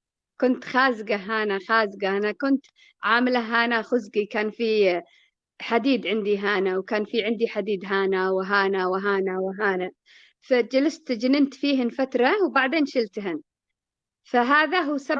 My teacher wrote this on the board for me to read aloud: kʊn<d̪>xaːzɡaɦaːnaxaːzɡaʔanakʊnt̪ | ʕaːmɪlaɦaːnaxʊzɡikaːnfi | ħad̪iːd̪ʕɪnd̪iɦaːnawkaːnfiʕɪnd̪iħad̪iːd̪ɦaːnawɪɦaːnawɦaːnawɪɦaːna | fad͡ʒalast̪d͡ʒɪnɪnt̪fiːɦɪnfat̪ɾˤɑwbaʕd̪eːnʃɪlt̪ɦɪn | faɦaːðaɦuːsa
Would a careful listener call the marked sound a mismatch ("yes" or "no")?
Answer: yes